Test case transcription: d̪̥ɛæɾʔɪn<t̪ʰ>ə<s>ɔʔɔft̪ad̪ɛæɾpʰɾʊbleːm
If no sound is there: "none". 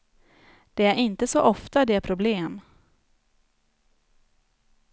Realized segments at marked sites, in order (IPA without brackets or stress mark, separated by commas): t̪, s